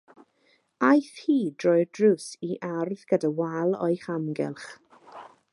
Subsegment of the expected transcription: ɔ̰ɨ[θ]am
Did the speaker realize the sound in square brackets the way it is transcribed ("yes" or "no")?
no